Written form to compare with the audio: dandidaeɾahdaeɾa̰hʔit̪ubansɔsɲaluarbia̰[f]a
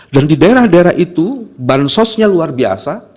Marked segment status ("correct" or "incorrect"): incorrect